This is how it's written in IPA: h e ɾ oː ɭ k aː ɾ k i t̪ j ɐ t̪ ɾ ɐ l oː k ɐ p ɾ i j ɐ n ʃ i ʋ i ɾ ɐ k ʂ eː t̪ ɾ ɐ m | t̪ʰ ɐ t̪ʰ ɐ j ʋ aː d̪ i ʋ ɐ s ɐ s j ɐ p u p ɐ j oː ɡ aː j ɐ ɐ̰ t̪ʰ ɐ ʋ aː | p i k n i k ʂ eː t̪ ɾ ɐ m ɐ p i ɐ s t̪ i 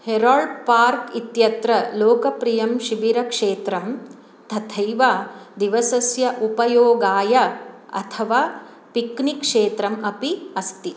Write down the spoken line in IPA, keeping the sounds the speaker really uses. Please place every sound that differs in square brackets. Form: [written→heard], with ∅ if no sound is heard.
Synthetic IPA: h e ɾ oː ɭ [k→p] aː ɾ k i t̪ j ɐ t̪ ɾ ɐ l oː k ɐ p ɾ i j ɐ [n→m] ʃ i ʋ i ɾ ɐ k ʂ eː t̪ ɾ ɐ m | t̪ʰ ɐ t̪ʰ ɐ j ʋ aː d̪ i ʋ ɐ s ɐ s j ɐ [p→ʔ] u p ɐ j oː ɡ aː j ɐ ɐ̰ t̪ʰ ɐ ʋ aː | p i k n i k ʂ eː t̪ ɾ ɐ m ɐ p i ɐ s t̪ i